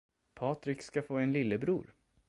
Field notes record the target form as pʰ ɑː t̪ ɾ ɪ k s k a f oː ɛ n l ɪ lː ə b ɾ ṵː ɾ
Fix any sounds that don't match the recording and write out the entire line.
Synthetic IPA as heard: pʰ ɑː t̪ ɾ ɪ k s k a f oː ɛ n l ɪ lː ə b ɾ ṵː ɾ